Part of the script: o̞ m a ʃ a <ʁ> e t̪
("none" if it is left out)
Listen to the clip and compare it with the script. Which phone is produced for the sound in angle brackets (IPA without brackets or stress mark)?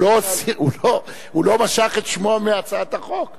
χ